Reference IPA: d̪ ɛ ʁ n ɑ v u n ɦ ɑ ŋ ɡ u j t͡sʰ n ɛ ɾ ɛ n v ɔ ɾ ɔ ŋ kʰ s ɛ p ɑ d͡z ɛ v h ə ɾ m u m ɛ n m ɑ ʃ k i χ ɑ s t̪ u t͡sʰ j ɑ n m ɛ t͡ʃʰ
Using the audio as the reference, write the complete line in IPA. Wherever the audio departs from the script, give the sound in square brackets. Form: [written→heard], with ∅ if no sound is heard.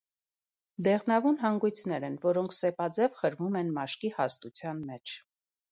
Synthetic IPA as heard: d̪ ɛ ʁ n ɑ v u n ɦ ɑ ŋ ɡ u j t͡sʰ n ɛ ɾ ɛ n v ɔ ɾ ɔ ŋ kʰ s ɛ p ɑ d͡z ɛ v [h→χ] ə ɾ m u m ɛ n m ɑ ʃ k i [χ→h] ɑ s t̪ u t͡sʰ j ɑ n m ɛ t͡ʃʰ